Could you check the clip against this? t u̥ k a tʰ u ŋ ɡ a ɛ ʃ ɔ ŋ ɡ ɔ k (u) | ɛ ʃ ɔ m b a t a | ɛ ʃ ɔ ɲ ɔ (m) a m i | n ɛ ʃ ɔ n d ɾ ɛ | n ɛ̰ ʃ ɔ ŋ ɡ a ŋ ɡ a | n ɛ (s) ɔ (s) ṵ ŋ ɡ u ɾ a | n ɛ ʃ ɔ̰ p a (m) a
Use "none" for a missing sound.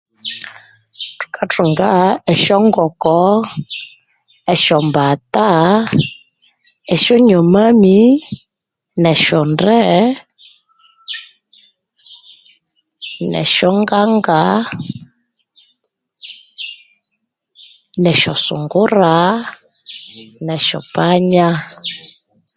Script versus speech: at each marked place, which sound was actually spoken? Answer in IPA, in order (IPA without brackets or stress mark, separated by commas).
ɔ, m, ʃ, s, ɲ